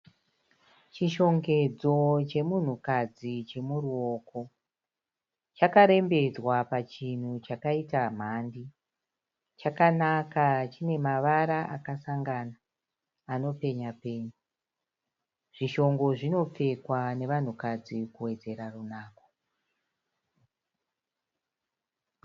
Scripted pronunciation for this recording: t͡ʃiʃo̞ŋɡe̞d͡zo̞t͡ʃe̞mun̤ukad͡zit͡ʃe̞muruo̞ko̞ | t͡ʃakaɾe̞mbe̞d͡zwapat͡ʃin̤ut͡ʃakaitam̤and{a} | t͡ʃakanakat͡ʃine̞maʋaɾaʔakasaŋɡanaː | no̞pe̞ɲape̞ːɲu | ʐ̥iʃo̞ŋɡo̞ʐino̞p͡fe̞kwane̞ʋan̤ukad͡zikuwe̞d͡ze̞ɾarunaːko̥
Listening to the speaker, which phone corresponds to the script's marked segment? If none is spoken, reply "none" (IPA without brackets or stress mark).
i